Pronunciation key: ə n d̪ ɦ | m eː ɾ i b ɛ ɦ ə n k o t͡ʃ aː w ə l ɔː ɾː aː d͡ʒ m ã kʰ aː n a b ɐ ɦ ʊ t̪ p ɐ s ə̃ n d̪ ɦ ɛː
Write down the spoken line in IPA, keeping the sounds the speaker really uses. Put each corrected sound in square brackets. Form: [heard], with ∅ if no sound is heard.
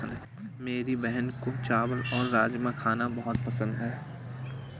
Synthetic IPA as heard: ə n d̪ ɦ | m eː ɾ i b ɛ ɦ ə n k o t͡ʃ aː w ə l ɔː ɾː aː d͡ʒ m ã kʰ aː n a b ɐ ɦ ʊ t̪ p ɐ s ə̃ n d̪ ɦ ɛː